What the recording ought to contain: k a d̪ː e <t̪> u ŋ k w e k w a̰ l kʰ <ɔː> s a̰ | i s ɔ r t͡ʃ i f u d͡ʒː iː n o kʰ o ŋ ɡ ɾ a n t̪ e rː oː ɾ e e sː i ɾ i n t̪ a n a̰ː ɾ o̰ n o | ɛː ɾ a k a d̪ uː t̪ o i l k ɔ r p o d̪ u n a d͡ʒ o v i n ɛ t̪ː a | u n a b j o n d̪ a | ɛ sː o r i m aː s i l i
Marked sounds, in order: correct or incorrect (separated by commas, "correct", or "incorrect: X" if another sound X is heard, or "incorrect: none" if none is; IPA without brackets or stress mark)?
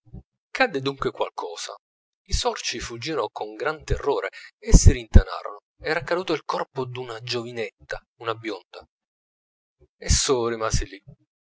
incorrect: d̪, correct